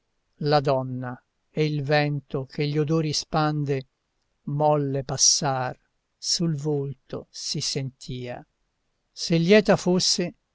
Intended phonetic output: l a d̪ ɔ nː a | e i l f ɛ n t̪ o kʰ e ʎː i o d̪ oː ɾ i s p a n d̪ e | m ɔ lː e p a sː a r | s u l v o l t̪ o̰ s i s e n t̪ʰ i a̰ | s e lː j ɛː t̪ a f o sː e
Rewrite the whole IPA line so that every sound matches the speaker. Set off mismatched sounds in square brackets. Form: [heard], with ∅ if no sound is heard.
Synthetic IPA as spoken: l a d̪ ɔ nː a | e i l [v] ɛ n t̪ o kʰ e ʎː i o d̪ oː ɾ i s p a n d̪ e | m ɔ lː e p a sː a r | s u l v o l t̪ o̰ s i s e n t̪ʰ [iː] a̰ | s e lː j ɛː t̪ a f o sː e